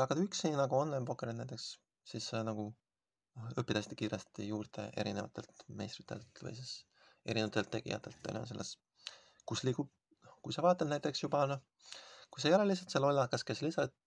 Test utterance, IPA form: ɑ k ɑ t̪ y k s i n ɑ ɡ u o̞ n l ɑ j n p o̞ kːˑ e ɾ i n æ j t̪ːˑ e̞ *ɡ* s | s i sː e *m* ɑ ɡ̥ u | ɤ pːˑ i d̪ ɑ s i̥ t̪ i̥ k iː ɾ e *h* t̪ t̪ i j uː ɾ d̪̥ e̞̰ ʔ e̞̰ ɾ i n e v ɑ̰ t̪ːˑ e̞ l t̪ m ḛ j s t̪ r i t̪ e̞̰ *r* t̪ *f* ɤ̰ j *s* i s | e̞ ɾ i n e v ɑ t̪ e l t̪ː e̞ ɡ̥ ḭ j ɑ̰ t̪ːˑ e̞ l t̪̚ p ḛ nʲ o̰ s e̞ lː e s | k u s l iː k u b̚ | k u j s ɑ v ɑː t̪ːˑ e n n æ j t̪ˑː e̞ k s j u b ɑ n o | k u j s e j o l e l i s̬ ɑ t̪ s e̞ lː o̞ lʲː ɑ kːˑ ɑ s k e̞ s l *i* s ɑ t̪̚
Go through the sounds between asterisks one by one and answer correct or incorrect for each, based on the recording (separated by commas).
incorrect, incorrect, incorrect, incorrect, incorrect, correct, correct